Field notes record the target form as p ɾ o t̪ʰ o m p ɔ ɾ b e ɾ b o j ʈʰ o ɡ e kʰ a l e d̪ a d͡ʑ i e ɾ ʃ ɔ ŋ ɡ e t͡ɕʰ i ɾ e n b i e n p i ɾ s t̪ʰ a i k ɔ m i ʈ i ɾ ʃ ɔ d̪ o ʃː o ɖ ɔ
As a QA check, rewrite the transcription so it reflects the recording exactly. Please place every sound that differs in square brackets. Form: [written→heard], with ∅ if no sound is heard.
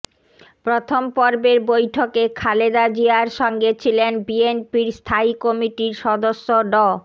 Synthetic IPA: p ɾ o t̪ʰ o m p ɔ ɾ b e ɾ b o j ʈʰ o [ɡ→k] e kʰ a l e d̪ a d͡ʑ i [e→a] ɾ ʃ ɔ ŋ ɡ e t͡ɕʰ i [ɾ→l] e n b i e n p i ɾ s t̪ʰ a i k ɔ m i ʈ i ɾ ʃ ɔ d̪ o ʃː o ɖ ɔ

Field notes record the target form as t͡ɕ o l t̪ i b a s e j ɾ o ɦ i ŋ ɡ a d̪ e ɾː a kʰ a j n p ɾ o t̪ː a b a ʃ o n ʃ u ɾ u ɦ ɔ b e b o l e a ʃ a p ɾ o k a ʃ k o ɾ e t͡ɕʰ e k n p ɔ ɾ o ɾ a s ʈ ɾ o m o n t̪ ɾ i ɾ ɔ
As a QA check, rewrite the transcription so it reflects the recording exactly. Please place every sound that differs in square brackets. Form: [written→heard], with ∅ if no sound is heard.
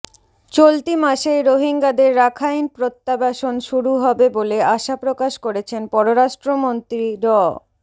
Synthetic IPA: t͡ɕ o l t̪ i [b→m] a [s→ʃ] e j ɾ o ɦ i ŋ ɡ a d̪ e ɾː a kʰ a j n p ɾ o t̪ː a b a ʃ o n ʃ u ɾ u ɦ ɔ b e b o l e a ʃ a p ɾ o k a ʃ k o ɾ e t͡ɕʰ e [k→∅] n p ɔ ɾ o ɾ a [s→ʃ] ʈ ɾ o m o n t̪ ɾ i ɾ ɔ

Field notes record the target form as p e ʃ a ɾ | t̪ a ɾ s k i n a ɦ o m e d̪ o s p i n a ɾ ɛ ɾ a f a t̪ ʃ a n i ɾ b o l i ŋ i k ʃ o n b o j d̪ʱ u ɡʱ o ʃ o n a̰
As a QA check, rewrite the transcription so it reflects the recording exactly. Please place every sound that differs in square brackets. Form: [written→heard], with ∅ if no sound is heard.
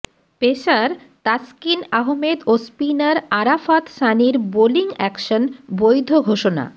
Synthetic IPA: p e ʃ a ɾ | t̪ a [ɾ→∅] s k i n a ɦ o m e d̪ o s p i n a ɾ [ɛ→a] ɾ a f a t̪ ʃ a n i ɾ b o l i ŋ [i→ɛ] k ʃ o n b o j d̪ʱ [u→o] ɡʱ o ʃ o n a̰

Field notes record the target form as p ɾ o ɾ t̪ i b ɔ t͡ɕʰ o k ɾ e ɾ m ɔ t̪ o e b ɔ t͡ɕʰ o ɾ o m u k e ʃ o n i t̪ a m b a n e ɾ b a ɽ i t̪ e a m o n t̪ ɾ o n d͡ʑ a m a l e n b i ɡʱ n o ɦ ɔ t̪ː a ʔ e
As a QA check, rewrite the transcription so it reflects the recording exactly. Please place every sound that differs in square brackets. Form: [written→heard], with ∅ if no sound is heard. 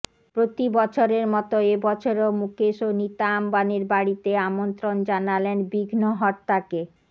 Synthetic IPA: p ɾ o [ɾ→∅] t̪ i b ɔ t͡ɕʰ o [k→∅] ɾ e ɾ m ɔ t̪ o e b ɔ t͡ɕʰ o ɾ o m u k e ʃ o n i t̪ a m b a n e ɾ b a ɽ i t̪ e a m o n t̪ ɾ o n d͡ʑ a [m→n] a l e n b i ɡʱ n o ɦ ɔ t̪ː a [ʔ→k] e

